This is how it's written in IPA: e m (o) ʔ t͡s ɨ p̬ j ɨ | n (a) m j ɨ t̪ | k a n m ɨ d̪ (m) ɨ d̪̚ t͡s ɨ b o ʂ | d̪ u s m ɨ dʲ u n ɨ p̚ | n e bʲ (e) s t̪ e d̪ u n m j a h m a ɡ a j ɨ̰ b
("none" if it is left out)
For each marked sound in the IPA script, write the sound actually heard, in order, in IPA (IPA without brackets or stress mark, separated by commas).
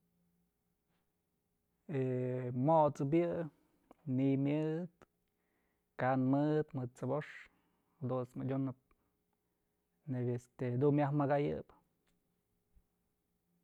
o, i, m, e